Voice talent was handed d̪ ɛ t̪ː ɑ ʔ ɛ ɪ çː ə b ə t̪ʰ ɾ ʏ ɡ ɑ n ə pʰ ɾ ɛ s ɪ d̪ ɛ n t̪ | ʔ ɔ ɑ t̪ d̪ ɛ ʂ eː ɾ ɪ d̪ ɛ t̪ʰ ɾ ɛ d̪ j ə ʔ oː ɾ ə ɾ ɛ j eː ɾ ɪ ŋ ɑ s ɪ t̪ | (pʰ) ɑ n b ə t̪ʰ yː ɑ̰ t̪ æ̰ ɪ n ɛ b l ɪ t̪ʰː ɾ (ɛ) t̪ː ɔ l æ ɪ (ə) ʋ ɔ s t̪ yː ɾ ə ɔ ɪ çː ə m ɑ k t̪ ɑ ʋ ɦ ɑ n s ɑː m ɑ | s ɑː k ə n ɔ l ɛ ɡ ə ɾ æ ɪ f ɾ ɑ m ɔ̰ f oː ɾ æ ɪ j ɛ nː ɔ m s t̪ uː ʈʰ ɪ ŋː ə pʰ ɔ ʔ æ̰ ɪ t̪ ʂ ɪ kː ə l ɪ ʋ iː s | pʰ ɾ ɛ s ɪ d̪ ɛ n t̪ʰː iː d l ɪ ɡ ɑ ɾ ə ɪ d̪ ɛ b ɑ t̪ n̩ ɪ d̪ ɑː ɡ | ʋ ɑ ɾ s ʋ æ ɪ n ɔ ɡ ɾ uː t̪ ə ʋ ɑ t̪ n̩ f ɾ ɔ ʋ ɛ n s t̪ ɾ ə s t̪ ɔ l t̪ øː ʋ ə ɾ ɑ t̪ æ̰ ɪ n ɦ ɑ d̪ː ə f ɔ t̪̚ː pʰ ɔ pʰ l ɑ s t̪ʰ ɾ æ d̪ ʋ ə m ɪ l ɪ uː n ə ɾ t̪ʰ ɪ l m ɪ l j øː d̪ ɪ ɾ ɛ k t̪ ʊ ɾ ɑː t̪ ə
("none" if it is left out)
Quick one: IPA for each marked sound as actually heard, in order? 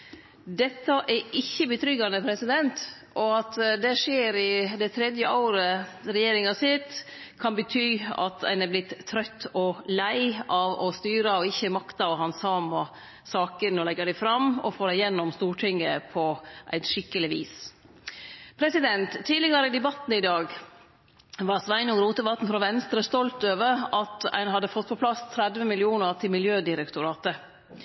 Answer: kʰ, œ, ɑ

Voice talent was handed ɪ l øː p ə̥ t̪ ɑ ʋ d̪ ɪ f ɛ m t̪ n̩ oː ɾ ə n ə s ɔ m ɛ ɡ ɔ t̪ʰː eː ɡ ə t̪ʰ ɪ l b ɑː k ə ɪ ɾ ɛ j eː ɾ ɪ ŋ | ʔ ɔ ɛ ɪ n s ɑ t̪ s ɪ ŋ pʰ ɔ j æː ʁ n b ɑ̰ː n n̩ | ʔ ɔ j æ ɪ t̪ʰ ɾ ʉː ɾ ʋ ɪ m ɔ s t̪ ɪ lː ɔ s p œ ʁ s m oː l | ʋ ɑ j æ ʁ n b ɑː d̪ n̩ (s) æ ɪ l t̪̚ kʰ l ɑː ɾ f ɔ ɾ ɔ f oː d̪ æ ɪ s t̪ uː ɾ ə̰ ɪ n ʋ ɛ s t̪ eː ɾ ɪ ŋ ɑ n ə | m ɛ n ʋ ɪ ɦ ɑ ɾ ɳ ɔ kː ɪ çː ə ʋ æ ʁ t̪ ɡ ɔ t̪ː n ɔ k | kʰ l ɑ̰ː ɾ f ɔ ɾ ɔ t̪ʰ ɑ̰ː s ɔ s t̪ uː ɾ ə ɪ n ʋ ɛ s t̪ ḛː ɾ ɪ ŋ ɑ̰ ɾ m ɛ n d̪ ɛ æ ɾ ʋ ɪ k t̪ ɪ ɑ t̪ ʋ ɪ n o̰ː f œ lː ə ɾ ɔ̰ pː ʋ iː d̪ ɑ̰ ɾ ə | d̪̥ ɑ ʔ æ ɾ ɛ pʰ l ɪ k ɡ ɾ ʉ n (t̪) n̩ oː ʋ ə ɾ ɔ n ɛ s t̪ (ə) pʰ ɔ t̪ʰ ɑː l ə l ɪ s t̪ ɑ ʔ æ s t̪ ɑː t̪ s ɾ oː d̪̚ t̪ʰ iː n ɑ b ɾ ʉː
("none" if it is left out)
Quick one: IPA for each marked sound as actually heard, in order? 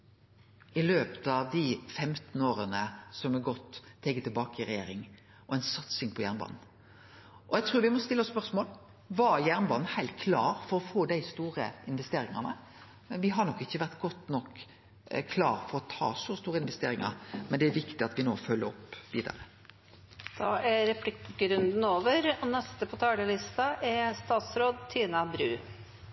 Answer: h, d̪, ə

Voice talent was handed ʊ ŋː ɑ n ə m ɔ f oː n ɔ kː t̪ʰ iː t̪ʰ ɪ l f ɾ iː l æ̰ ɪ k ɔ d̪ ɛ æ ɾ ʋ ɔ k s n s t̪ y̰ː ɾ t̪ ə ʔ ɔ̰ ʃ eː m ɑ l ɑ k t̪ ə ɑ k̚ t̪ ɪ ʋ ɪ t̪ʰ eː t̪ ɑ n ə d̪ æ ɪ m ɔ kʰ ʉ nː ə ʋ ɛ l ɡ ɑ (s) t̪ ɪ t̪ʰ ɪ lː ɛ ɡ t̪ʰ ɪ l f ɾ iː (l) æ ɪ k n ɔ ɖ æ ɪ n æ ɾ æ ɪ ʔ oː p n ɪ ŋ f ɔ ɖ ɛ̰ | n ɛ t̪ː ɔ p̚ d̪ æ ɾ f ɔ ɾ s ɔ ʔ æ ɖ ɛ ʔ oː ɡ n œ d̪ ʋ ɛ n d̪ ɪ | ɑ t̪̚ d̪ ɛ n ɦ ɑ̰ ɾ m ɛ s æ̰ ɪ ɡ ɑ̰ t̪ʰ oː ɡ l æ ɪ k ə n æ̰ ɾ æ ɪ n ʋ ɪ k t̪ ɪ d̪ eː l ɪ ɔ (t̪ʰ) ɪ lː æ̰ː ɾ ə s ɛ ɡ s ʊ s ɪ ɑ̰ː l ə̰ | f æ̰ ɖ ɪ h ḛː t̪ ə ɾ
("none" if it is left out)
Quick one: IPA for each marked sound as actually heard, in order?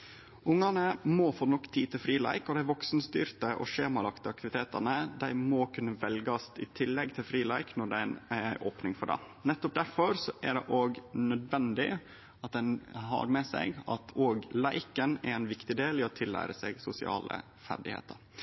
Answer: s, l, t̪ʰ

